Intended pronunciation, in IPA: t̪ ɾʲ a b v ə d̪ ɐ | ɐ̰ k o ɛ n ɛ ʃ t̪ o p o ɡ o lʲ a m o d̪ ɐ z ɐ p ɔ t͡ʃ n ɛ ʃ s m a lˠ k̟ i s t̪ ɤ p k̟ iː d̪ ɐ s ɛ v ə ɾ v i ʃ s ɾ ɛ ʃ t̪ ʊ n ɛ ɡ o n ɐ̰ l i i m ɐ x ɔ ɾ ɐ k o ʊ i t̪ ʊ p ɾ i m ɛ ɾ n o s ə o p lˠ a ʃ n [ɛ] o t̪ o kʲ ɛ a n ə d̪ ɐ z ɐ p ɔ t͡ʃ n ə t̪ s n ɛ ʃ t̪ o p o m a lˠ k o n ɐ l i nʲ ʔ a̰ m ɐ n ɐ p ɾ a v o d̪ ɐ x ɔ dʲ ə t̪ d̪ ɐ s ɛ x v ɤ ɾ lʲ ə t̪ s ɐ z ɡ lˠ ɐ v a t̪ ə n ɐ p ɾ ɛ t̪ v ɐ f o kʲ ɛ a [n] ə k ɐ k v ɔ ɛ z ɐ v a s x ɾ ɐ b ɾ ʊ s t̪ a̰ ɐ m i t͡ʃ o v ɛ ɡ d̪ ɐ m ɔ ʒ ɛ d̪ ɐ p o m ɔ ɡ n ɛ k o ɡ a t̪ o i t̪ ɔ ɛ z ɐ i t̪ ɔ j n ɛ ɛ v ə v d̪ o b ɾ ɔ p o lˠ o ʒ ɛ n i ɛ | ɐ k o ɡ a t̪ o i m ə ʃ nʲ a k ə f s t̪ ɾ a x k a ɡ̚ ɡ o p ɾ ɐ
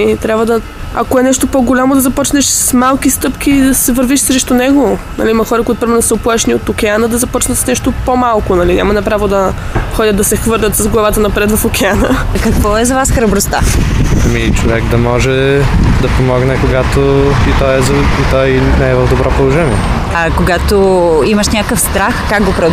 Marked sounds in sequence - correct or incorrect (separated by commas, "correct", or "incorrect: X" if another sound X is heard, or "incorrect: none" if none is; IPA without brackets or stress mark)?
incorrect: i, correct